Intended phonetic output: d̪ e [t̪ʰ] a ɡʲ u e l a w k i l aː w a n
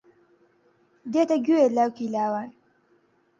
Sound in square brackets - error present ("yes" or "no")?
yes